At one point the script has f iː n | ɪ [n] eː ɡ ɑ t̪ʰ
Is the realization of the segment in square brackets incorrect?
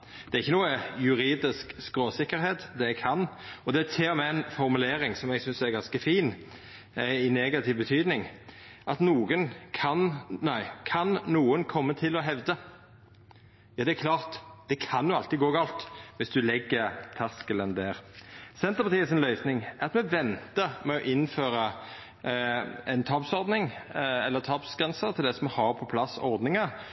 no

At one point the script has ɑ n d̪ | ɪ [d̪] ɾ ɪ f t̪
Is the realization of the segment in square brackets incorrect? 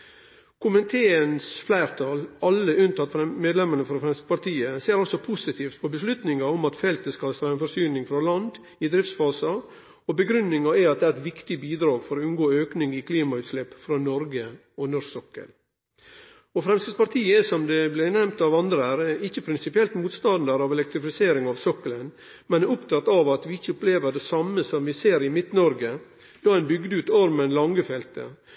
no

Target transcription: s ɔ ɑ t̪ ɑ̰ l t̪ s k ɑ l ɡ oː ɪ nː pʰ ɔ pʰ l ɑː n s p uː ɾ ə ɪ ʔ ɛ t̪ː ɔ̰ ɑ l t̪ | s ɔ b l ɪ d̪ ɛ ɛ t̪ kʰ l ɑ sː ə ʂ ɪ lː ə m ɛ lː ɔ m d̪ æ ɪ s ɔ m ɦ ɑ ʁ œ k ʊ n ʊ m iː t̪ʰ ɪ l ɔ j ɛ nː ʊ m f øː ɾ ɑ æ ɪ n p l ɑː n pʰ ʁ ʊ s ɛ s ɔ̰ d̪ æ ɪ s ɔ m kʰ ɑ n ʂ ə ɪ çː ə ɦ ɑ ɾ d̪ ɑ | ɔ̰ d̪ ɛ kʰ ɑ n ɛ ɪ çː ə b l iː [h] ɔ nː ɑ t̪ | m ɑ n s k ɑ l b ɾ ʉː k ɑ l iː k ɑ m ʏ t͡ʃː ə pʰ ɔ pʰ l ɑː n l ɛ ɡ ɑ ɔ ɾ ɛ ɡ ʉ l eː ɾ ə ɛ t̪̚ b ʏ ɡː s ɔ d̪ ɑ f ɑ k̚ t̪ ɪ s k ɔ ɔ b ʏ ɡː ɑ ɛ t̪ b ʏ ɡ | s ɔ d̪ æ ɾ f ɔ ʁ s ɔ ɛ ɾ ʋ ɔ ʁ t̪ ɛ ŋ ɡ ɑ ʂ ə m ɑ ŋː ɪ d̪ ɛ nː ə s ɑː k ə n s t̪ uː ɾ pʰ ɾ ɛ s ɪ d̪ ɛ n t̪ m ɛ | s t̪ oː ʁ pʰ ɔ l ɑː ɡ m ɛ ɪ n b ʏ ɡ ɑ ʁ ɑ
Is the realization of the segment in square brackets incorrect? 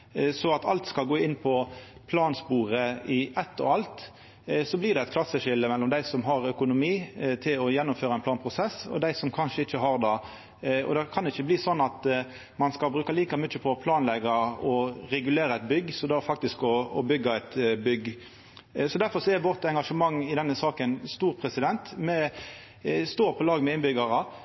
yes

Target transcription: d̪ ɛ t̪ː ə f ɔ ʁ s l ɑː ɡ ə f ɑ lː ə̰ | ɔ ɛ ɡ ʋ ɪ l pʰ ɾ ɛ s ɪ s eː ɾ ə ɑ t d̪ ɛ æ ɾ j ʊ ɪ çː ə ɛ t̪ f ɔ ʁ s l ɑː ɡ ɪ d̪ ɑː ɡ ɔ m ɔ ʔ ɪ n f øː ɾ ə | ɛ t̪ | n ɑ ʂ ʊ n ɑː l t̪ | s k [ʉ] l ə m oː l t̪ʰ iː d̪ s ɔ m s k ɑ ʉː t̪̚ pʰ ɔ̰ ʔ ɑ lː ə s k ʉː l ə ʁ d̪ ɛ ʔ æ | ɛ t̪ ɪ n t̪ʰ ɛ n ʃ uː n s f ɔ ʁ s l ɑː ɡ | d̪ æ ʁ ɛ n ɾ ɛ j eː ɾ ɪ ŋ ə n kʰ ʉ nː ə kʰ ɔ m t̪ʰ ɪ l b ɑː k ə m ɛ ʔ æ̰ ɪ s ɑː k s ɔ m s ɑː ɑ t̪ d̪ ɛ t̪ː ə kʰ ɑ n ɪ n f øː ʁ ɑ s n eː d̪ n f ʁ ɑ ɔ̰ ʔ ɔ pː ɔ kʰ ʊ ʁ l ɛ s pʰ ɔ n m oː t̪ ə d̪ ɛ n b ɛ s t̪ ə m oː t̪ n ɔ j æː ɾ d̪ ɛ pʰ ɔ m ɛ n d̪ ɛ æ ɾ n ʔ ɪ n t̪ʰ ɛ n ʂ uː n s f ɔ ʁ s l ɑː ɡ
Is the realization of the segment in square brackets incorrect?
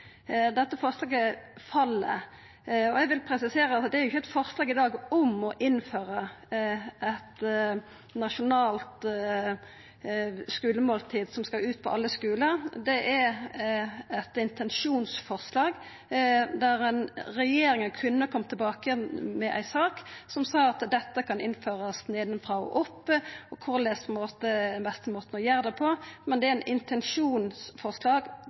yes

